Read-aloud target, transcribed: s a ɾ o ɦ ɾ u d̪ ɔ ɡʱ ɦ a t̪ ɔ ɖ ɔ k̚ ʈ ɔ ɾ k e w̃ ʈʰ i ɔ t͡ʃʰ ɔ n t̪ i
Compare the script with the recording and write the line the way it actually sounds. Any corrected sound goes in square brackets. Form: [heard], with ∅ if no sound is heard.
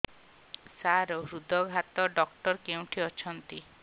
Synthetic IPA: s a ɾ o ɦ ɾ u d̪ ɔ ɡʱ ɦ a t̪ ɔ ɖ ɔ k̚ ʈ ɔ ɾ k e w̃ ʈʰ i ɔ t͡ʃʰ ɔ n t̪ i

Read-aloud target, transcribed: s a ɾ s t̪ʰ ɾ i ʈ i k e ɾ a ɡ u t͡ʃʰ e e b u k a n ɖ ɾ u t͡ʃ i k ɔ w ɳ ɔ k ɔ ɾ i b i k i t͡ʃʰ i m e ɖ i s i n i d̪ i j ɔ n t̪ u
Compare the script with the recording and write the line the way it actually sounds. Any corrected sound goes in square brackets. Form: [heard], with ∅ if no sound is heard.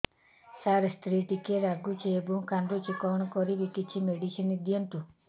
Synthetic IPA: s a ɾ s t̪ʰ ɾ i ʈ i k e ɾ a ɡ u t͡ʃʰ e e b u k a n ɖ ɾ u t͡ʃ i k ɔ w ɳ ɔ k ɔ ɾ i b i k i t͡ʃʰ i m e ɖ i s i n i d̪ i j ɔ n t̪ u

